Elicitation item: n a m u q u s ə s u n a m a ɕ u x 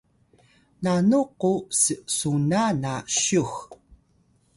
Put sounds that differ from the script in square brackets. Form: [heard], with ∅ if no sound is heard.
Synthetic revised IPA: n a [n] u q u s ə s u n a [n] a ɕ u x